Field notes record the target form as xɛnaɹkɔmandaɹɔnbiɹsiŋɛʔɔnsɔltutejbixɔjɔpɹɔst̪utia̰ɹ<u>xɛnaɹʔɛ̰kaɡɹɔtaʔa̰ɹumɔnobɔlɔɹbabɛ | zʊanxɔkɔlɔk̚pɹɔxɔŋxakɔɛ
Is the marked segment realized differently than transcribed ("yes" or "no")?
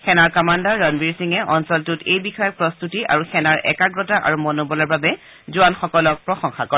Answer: no